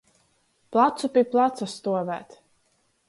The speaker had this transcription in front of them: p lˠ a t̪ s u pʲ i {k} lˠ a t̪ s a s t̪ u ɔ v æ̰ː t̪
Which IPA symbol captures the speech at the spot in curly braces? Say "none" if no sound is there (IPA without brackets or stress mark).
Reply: p